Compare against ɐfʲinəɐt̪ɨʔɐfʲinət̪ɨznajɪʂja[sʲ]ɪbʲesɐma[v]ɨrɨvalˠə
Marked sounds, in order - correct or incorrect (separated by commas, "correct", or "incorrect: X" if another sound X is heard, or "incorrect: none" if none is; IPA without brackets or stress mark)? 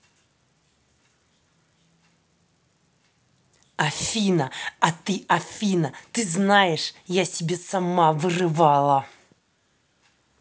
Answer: correct, correct